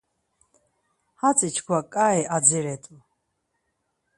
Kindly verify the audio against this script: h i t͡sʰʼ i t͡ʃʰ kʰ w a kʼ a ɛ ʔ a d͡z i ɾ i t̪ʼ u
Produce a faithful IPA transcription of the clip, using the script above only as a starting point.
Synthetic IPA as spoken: h a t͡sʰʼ i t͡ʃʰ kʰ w a kʼ a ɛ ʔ a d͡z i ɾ ɛ t̪ʼ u